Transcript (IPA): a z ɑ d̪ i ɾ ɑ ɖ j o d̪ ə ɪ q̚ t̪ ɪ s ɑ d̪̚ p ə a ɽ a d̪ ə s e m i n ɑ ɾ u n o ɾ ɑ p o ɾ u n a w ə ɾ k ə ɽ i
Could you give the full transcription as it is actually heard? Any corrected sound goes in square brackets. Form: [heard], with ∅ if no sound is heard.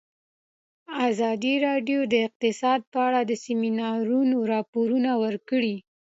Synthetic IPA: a z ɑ d̪ i ɾ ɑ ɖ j o d̪ ə ɪ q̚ t̪ ɪ s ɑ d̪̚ p ə a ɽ a d̪ ə s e m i n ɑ ɾ u n o ɾ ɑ p o ɾ u n a w ə ɾ k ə ɽ i